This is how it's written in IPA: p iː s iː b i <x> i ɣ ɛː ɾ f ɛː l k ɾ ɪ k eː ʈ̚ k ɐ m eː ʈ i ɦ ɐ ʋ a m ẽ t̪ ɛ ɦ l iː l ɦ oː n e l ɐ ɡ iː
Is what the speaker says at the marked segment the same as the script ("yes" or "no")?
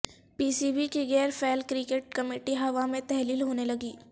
no